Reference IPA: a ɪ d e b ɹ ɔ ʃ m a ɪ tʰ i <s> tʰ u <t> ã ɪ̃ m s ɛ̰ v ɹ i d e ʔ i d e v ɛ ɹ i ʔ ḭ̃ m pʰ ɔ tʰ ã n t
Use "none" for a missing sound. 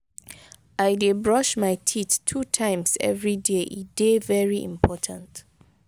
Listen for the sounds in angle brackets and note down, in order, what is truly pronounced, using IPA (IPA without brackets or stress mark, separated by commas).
t, tʰ